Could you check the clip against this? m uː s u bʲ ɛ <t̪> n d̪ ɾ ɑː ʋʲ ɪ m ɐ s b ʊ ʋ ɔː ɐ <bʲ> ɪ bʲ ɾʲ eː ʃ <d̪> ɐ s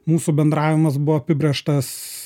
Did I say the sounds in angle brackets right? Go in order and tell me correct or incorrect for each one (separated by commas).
incorrect, incorrect, incorrect